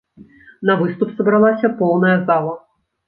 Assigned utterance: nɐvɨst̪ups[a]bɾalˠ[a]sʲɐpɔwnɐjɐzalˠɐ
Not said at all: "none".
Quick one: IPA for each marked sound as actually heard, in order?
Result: ɐ, a

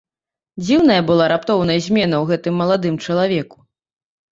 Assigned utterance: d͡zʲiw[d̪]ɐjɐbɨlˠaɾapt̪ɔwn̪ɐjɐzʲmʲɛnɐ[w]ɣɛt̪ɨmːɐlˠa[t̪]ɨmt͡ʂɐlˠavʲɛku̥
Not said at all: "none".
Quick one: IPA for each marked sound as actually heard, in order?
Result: n̪, w, d̪

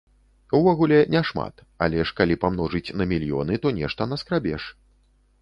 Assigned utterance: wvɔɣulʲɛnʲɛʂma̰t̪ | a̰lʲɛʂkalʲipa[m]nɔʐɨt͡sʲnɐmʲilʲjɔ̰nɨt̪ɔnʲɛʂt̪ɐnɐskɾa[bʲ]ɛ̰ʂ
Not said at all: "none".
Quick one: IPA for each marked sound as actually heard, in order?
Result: m, bʲ

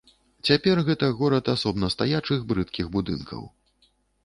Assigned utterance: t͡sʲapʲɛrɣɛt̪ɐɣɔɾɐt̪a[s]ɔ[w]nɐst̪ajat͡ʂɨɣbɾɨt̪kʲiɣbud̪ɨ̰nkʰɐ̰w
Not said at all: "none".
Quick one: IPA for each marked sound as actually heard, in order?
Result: s, b

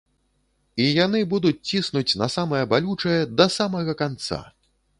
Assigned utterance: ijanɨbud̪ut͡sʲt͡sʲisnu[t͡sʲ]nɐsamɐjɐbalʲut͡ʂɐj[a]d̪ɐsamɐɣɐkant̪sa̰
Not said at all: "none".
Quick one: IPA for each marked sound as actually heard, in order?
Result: t͡sʲ, ɛ

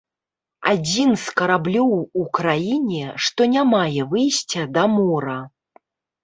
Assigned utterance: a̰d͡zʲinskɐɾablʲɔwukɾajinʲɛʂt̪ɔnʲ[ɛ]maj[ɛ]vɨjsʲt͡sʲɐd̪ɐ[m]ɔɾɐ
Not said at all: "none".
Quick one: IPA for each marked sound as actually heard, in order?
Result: a, ɛ, m

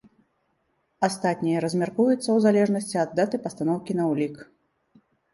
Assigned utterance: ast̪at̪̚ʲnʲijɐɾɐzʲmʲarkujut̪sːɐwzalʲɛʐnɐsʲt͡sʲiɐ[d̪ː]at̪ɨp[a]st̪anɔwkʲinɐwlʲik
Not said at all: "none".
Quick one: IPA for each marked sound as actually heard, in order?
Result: d̪ː, ɐ

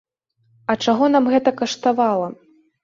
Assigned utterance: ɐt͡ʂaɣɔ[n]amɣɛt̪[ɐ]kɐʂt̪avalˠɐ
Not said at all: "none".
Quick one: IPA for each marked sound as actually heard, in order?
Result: n, ɐ

